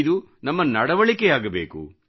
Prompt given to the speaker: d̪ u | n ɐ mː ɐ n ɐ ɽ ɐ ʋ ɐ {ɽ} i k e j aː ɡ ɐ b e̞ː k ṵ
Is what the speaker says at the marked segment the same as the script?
no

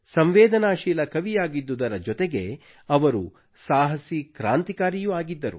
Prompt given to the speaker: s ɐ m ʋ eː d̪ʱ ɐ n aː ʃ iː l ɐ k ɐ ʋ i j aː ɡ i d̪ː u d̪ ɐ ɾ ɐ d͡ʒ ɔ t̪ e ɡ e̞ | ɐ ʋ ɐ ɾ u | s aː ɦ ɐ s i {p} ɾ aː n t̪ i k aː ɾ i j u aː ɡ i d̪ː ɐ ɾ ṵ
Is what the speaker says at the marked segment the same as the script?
no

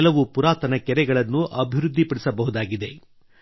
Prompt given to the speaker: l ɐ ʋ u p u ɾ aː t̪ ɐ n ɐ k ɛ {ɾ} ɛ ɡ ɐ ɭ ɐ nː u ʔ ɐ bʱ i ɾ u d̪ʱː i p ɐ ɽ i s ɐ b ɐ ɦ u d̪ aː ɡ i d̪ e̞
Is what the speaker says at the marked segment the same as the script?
yes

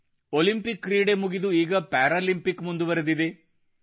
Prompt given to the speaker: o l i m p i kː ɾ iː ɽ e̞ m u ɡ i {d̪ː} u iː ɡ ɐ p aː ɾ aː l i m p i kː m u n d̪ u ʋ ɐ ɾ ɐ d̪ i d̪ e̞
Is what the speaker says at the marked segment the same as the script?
no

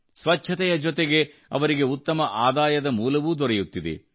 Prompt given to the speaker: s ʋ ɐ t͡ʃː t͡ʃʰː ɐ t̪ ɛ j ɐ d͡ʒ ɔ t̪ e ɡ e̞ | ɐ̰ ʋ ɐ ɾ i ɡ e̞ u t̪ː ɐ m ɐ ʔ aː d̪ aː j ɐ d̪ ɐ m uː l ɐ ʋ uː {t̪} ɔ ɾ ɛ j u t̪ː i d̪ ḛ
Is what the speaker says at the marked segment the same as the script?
no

